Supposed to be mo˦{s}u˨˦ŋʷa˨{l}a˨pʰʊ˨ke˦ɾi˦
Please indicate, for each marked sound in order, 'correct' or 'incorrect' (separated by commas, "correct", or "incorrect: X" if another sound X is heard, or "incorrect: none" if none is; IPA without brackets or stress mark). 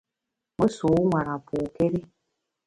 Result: correct, incorrect: ɾ